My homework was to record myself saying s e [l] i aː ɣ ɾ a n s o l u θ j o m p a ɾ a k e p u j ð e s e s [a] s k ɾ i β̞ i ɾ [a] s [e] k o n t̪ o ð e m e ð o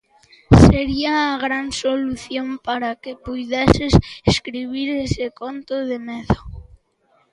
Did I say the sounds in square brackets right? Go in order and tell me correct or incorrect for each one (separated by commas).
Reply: incorrect, incorrect, incorrect, correct